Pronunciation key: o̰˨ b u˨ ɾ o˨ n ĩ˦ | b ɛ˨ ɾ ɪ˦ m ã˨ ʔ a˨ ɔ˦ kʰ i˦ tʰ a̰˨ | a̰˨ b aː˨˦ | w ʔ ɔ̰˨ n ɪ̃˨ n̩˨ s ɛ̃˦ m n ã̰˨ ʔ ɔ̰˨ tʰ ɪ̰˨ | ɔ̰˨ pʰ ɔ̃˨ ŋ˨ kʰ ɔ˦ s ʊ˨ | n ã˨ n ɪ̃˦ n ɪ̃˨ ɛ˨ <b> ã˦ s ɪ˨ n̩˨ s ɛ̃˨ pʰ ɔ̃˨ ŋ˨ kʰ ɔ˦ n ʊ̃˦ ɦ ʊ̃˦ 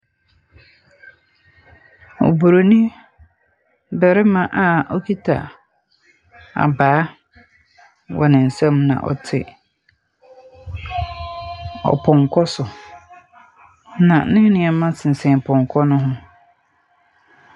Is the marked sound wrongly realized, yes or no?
yes